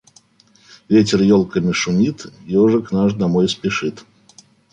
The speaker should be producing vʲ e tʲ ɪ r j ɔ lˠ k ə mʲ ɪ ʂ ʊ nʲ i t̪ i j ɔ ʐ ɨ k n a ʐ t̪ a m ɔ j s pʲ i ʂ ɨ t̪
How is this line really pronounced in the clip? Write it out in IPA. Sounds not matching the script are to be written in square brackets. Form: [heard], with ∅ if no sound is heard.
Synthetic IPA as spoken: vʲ e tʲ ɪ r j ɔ lˠ k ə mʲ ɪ ʂ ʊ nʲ i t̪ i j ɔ ʐ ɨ k n a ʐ [d̪] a m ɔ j s pʲ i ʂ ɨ t̪